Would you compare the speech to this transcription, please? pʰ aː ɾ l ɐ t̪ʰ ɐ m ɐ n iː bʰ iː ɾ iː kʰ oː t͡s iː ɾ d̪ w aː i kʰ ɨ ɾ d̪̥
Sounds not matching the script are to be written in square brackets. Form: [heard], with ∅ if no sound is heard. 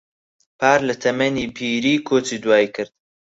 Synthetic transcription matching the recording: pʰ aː ɾ l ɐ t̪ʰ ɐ m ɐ n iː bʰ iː ɾ iː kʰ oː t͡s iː [∅] d̪ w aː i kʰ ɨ ɾ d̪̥